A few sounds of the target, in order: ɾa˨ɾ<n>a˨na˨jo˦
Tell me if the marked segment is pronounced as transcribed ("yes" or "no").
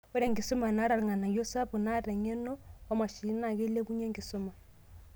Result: no